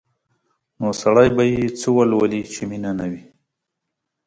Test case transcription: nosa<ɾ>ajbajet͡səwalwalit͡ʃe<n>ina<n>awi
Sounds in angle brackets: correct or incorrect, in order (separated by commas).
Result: incorrect, incorrect, correct